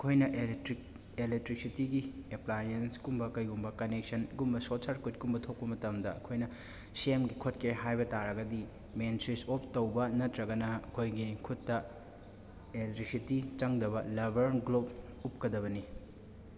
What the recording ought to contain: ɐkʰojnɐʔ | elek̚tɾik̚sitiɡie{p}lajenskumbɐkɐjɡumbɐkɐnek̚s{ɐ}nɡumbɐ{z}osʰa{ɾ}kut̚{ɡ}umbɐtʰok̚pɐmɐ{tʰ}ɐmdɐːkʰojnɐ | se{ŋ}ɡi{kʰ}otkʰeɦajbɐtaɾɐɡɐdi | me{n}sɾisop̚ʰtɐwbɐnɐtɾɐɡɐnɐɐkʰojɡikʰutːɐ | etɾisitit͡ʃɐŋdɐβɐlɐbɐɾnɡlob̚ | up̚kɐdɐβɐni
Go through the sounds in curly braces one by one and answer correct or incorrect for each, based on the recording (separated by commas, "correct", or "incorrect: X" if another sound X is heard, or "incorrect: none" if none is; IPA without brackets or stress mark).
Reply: correct, correct, incorrect: s, correct, incorrect: k, incorrect: t, incorrect: m, correct, correct